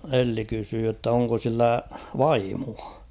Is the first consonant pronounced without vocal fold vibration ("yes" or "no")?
no